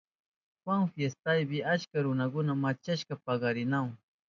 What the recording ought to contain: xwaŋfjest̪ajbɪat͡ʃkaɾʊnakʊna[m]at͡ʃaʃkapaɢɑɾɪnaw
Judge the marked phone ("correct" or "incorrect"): correct